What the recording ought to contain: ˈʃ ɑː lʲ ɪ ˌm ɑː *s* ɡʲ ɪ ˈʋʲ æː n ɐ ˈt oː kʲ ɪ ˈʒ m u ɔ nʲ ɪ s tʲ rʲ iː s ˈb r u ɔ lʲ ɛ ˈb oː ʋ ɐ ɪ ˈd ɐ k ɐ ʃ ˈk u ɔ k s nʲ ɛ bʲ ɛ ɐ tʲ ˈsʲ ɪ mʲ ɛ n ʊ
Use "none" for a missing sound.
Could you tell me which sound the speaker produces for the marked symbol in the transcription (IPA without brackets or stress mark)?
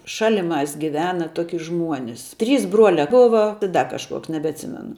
s